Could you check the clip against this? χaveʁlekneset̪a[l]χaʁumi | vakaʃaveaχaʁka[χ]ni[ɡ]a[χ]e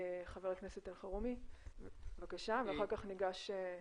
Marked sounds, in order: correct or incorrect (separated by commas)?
correct, correct, correct, incorrect